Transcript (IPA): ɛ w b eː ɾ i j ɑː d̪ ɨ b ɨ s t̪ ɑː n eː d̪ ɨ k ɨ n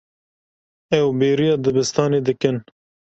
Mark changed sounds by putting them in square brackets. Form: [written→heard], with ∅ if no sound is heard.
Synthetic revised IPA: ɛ w b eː ɾ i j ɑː d̪ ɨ b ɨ s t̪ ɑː n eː d̪ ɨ k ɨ n